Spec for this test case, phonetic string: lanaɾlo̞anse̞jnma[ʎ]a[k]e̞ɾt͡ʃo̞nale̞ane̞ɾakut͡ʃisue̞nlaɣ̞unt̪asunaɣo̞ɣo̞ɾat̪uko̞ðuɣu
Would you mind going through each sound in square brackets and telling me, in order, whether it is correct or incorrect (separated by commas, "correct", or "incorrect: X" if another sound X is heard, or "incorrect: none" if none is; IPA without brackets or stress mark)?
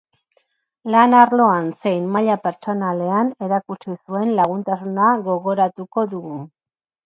correct, incorrect: p